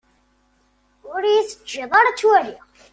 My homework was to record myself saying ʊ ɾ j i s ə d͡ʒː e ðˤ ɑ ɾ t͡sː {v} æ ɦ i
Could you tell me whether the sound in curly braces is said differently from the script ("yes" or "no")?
yes